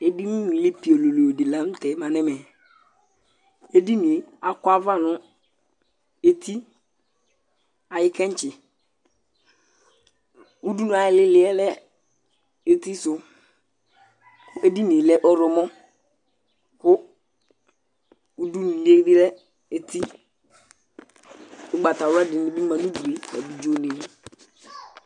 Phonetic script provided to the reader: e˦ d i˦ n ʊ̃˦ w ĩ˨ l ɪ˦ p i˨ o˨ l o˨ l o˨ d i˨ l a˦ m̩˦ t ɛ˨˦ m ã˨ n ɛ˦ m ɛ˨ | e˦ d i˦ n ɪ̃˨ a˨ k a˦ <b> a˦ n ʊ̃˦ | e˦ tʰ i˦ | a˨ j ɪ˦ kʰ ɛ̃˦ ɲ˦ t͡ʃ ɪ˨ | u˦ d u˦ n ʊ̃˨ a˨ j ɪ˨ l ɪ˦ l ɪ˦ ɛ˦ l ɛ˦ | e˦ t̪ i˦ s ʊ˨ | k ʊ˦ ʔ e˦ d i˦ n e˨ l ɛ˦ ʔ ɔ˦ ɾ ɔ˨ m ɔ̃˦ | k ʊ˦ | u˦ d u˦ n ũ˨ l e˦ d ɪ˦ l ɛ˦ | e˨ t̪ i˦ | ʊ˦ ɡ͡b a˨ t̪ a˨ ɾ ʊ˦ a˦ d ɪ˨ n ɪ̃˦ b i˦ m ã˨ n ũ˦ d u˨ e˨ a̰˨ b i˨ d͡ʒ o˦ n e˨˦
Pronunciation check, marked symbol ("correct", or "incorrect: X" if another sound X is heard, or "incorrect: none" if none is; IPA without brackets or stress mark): incorrect: v